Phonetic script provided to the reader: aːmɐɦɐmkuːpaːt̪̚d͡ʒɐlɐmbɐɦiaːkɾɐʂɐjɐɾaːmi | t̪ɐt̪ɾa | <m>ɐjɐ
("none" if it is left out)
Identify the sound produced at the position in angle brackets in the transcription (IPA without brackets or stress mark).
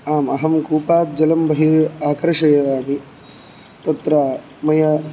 m